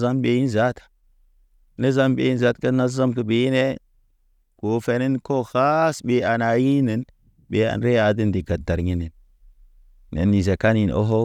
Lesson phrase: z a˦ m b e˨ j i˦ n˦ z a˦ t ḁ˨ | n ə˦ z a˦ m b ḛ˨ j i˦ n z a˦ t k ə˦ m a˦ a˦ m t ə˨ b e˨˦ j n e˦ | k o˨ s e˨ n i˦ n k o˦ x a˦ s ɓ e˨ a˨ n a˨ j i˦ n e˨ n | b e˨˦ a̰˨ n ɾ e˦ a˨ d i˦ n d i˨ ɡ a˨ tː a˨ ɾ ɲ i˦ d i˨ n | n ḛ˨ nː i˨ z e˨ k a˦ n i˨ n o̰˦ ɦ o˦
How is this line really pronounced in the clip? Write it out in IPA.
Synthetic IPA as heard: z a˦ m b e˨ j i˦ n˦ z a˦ t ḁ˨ | n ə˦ z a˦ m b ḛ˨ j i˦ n z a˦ t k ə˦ n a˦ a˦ m k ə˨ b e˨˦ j n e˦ | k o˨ f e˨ n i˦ n k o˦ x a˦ s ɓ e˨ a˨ n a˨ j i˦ n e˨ n | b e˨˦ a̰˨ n ɾ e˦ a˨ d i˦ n d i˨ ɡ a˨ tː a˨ ɾ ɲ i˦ n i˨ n | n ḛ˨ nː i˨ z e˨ k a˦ n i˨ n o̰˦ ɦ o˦